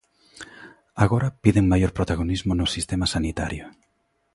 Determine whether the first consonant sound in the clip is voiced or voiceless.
voiced